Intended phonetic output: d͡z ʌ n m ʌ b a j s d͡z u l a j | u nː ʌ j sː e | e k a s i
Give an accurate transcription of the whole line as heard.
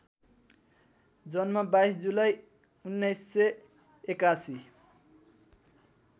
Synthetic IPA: d͡z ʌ n m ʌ b a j s d͡z u l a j | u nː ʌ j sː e | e k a s i